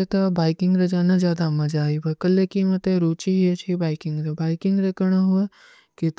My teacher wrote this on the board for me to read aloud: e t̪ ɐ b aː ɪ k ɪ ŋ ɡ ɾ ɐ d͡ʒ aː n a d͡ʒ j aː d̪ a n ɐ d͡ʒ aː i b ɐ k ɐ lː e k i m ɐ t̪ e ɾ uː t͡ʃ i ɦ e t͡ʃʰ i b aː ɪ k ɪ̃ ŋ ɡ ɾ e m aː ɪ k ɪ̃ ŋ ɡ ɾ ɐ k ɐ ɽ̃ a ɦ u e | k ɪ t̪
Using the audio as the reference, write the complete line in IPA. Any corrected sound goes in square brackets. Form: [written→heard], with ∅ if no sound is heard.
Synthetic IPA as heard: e t̪ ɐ b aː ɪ k ɪ ŋ ɡ ɾ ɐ d͡ʒ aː n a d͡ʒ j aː d̪ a [n→m] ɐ d͡ʒ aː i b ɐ k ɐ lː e k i m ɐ t̪ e ɾ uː t͡ʃ i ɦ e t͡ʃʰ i b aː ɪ k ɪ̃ ŋ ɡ ɾ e [m→b] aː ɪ k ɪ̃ ŋ ɡ ɾ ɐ k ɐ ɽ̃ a ɦ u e | k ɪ t̪